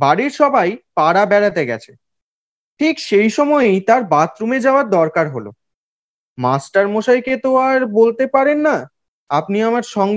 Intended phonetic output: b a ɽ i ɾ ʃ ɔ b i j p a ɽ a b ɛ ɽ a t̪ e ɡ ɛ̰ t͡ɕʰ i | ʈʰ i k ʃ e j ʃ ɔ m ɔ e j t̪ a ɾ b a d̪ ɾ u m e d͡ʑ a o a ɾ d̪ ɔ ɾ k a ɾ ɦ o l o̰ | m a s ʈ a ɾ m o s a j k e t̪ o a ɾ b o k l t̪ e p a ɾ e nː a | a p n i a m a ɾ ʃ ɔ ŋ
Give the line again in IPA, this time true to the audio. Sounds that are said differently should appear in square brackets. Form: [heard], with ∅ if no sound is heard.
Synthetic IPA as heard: b a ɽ i ɾ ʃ ɔ b [a] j p a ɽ a b ɛ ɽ a t̪ e ɡ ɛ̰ t͡ɕʰ [e] | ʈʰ i k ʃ e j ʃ ɔ m ɔ e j t̪ a ɾ b a [t̪] ɾ u m e d͡ʑ a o a ɾ d̪ ɔ ɾ k a ɾ ɦ o l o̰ | m a s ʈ a ɾ m o [ʃ] a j k e t̪ o a ɾ b o [∅] l t̪ e p a ɾ e nː a | a p n i a m a ɾ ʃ ɔ ŋ